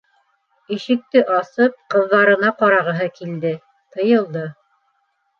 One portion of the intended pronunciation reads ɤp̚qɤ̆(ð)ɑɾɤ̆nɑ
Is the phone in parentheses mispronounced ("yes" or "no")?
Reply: yes